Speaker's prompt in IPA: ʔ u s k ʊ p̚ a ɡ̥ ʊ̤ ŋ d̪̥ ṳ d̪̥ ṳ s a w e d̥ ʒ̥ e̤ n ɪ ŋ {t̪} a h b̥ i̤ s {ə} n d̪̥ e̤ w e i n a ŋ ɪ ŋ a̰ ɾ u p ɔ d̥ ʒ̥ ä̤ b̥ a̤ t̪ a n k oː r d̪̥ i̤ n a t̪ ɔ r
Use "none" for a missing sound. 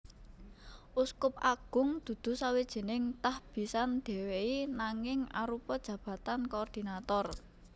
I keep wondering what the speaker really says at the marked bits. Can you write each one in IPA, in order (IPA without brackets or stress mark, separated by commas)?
t̪, a